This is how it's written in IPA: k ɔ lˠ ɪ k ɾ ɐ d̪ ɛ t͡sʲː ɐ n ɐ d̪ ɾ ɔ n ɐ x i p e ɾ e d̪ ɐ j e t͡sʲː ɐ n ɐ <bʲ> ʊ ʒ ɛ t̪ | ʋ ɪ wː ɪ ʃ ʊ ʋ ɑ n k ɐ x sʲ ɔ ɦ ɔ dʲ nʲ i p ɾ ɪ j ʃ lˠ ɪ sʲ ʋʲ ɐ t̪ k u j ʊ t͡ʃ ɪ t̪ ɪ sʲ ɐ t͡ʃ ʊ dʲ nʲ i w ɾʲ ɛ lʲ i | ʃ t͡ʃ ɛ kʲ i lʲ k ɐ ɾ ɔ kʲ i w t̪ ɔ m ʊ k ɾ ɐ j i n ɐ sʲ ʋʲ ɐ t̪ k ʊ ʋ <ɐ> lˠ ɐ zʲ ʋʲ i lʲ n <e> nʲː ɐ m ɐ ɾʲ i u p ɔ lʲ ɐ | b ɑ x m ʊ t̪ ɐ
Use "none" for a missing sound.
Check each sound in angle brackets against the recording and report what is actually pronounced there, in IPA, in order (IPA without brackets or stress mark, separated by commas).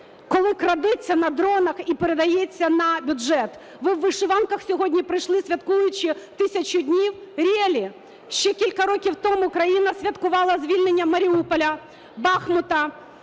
bʲ, ɑ, e